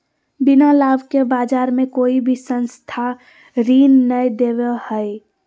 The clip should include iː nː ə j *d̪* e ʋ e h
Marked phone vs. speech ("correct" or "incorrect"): correct